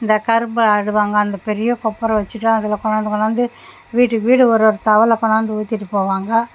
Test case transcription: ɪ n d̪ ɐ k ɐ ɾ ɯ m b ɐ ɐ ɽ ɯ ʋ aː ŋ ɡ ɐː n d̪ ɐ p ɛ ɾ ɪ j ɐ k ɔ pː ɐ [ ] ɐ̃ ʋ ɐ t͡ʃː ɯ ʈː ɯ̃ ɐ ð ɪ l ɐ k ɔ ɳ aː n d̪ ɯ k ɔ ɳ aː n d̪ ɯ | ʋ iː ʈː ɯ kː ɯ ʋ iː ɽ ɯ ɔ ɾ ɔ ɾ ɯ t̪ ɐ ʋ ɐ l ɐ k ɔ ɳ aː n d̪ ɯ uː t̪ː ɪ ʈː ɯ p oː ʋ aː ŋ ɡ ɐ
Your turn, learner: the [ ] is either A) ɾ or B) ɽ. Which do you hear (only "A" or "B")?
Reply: A